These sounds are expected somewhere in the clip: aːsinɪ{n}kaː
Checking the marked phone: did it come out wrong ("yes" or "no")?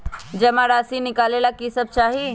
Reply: yes